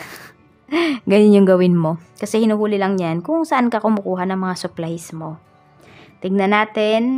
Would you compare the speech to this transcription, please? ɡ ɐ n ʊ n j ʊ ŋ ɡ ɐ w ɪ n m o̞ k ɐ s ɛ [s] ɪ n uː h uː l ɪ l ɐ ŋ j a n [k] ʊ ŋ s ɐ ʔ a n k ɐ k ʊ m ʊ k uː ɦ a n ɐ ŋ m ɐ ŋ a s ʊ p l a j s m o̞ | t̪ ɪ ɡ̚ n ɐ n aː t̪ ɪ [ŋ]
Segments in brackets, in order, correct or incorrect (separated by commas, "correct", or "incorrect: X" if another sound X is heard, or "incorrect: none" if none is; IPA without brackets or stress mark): incorrect: h, correct, incorrect: n